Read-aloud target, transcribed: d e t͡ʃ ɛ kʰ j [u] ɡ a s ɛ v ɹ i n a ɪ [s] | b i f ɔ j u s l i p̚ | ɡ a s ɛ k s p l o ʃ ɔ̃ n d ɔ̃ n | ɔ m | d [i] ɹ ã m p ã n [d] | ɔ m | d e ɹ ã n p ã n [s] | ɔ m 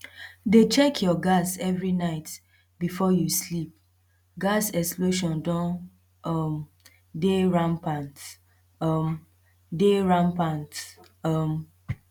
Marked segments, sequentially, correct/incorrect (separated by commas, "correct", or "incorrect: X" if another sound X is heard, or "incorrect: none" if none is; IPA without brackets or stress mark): incorrect: ɔ, incorrect: t, incorrect: e, incorrect: t, incorrect: t